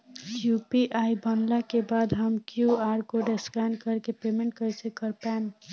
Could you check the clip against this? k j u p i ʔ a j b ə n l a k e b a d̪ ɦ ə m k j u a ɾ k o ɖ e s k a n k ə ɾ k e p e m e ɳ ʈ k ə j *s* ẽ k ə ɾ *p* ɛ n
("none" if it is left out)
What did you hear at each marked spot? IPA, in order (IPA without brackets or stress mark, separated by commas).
s, p